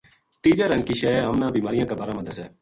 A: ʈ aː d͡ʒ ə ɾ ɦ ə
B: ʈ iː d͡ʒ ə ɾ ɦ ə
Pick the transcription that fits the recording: B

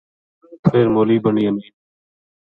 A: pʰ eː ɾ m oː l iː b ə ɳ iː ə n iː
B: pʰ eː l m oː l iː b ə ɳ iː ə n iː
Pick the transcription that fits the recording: A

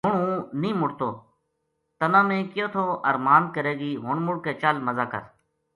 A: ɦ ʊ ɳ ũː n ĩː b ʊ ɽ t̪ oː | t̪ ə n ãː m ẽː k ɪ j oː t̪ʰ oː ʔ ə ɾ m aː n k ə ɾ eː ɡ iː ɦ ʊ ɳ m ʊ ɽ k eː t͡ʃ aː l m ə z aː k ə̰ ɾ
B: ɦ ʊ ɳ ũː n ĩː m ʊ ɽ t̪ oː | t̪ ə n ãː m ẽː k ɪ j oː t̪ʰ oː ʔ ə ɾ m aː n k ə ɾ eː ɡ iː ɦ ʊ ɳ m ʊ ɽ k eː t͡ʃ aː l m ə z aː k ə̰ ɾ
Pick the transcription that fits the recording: B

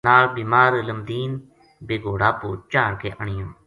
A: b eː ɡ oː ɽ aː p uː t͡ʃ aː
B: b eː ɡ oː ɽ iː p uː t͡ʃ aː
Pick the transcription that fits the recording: A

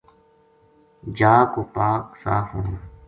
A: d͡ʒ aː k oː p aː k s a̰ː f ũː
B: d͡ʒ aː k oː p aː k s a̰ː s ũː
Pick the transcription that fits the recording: A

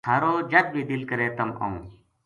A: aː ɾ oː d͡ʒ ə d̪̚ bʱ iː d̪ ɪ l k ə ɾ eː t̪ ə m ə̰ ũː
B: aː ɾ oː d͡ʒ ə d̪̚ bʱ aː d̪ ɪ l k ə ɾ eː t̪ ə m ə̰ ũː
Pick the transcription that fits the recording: A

